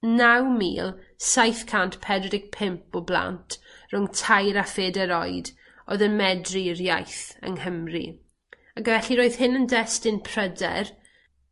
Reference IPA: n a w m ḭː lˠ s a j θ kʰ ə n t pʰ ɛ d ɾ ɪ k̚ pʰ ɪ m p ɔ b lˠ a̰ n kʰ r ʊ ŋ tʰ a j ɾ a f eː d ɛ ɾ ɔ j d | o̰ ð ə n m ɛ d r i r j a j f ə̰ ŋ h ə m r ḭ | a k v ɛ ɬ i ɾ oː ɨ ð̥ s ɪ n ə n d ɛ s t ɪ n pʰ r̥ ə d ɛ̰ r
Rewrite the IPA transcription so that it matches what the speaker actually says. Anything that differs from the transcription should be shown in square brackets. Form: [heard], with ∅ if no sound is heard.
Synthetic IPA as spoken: n a w m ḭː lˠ s a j θ kʰ [a] n t pʰ ɛ d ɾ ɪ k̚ pʰ ɪ m p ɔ b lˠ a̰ n [tʰ] r ʊ ŋ tʰ a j ɾ a f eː d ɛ ɾ ɔ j d | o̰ ð ə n m ɛ d r i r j a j [θ] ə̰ ŋ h ə m r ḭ | a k v ɛ ɬ i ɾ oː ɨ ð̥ [h] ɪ n ə n d ɛ s t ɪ n pʰ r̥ ə d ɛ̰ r